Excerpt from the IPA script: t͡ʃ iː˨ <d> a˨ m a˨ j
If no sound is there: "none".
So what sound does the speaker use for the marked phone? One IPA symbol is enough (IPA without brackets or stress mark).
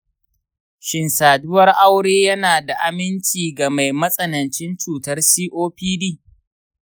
ɡ